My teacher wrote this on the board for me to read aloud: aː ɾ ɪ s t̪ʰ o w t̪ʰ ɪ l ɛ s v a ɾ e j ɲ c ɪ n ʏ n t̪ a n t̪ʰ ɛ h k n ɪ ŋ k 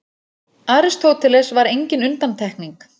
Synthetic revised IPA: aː ɾ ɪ s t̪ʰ o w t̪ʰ ɪ l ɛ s v a ɾ e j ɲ c ɪ n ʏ n t̪ a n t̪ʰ ɛ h k n i ŋ k